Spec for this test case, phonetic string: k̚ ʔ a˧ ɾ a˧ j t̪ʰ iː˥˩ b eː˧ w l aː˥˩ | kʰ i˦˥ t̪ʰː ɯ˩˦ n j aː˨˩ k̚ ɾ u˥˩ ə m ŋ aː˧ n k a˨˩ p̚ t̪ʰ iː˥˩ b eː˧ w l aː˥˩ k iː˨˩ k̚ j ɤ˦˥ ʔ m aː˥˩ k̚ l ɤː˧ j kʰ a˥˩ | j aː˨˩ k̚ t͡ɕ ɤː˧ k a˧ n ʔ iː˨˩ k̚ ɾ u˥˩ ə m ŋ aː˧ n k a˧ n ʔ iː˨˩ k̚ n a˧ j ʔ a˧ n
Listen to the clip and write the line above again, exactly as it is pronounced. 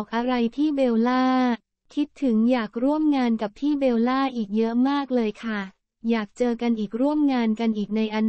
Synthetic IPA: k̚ ʔ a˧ ɾ a˧ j t̪ʰ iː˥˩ b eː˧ w l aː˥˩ | kʰ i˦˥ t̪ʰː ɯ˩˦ ŋ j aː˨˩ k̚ ɾ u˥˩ ə m ŋ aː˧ n k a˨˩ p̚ t̪ʰ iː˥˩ b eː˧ w l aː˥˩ ʔ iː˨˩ k̚ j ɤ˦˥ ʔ m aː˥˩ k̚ l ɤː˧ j kʰ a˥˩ | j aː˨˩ k̚ t͡ɕ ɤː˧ k a˧ n ʔ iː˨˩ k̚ ɾ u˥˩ ə m ŋ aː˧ n k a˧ n ʔ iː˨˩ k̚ n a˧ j ʔ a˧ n